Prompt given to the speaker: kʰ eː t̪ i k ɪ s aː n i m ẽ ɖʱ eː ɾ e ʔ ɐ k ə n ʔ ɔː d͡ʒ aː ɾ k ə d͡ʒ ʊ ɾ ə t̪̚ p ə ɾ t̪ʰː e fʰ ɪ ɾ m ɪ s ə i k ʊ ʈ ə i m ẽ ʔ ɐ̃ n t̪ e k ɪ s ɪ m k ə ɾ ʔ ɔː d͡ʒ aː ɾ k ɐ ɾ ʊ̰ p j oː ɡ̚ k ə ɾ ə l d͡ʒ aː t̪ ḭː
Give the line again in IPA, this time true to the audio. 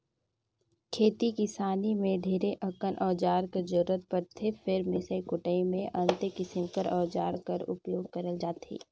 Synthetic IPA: kʰ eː t̪ i k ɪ s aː n i m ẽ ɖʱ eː ɾ e ʔ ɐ k ə n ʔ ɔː d͡ʒ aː ɾ k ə d͡ʒ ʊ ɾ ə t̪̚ p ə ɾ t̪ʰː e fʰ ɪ ɾ m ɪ s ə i k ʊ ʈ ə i m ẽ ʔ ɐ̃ n t̪ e k ɪ s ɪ m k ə ɾ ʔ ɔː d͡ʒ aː ɾ k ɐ ɾ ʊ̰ p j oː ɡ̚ k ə ɾ ə l d͡ʒ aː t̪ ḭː

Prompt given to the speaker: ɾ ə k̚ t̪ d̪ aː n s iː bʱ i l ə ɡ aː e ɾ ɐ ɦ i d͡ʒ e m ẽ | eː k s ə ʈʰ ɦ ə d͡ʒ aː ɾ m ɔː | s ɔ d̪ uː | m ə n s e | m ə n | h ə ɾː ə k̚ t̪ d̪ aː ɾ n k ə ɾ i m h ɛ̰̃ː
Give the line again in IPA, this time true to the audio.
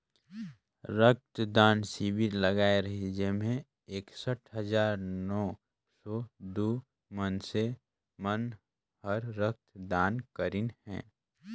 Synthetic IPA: ɾ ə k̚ t̪ d̪ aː n s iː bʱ i l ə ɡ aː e ɾ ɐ ɦ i d͡ʒ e m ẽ | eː k s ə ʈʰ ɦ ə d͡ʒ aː ɾ n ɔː | s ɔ d̪ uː | m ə n s e | m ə n | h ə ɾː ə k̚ t̪ d̪ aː n k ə ɾ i n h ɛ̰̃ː

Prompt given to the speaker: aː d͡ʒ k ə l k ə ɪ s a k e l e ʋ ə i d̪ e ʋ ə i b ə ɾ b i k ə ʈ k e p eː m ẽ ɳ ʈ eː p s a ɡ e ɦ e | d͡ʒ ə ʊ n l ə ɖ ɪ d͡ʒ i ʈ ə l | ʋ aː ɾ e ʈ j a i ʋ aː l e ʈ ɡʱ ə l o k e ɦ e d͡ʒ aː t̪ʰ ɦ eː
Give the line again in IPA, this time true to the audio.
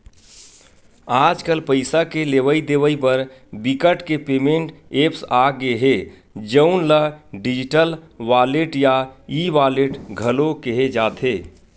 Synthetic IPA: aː d͡ʒ k ə l p ə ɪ s a k e l e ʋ ə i d̪ e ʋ ə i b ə ɾ b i k ə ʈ k e p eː m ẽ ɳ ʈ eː p s a ɡ e ɦ e | d͡ʒ ə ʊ n l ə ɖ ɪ d͡ʒ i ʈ ə l | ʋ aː l e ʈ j a i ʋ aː l e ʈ ɡʱ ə l o k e ɦ e d͡ʒ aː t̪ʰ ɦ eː

